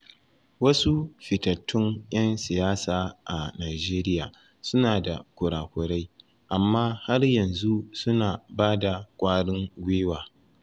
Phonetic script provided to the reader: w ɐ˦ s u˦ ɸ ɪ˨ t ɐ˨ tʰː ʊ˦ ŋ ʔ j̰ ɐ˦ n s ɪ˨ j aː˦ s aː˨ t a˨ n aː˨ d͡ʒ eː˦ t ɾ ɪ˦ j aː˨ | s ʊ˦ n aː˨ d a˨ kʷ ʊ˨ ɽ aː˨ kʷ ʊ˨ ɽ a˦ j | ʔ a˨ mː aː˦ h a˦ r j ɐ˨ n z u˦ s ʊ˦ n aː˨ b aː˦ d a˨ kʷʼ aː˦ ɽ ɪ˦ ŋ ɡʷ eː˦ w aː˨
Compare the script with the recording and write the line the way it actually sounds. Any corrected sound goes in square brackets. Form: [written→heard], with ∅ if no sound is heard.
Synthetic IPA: w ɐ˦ s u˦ ɸ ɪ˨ t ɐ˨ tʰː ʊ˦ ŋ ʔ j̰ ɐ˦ n s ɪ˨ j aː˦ s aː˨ [t→ʔ] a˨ n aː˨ d͡ʒ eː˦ [t→∅] ɾ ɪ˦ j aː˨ | s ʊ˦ n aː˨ d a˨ kʷ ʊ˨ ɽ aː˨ kʷ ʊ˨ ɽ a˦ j | ʔ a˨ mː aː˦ h a˦ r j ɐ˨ n z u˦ s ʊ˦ n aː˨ b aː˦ d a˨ kʷʼ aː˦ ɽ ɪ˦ ŋ ɡʷ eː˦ w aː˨